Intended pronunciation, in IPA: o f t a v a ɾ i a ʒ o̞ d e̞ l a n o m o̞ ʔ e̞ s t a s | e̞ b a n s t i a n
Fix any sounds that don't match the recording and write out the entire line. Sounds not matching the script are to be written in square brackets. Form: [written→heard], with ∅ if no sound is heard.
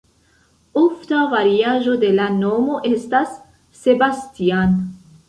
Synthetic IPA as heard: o f t a v a ɾ i a ʒ o̞ d e̞ l a n o m o̞ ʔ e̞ s t a [s→sː] | e̞ b a [n→∅] s t i a n